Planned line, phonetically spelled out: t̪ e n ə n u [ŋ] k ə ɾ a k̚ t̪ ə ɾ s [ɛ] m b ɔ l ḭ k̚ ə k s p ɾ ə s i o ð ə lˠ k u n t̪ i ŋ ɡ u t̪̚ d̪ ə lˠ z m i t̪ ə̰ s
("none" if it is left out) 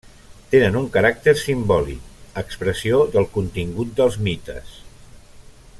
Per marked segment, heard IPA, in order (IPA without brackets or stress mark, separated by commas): ŋ, i